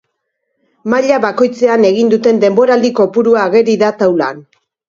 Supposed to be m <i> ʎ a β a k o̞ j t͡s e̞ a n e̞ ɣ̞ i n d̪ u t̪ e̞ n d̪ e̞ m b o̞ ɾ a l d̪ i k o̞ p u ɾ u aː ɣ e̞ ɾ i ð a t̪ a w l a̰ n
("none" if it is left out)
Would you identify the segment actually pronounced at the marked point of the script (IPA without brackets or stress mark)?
a